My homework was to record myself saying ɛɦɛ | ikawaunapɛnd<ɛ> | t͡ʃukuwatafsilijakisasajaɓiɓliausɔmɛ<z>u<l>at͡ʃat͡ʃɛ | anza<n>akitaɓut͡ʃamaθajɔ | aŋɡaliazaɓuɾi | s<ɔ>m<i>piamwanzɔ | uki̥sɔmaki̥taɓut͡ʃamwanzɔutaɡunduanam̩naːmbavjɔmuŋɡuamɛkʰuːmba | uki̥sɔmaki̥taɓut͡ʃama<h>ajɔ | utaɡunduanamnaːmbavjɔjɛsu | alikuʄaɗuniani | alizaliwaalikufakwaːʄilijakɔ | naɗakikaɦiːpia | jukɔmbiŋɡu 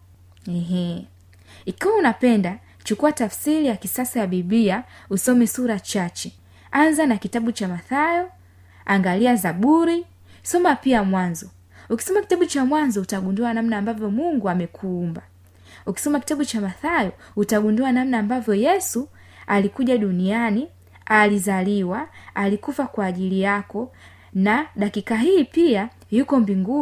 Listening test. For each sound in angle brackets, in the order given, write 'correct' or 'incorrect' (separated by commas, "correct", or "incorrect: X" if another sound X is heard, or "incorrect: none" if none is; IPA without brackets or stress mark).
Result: incorrect: a, incorrect: s, incorrect: ɾ, correct, correct, incorrect: a, incorrect: θ